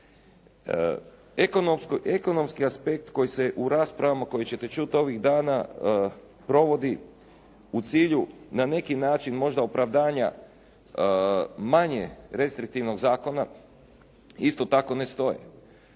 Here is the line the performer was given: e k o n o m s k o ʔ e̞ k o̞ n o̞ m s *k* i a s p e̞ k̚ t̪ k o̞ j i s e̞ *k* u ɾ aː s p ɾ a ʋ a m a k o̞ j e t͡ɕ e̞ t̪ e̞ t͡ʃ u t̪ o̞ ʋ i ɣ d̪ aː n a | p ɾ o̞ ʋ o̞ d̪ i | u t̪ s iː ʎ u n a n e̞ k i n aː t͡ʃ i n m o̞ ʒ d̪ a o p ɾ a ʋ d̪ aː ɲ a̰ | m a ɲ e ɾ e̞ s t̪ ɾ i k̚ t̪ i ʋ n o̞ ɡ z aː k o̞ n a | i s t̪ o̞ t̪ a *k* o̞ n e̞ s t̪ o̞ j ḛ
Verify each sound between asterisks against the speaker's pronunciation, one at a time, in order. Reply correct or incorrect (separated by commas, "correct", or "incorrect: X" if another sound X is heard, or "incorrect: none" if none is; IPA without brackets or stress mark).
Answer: correct, incorrect: ʔ, correct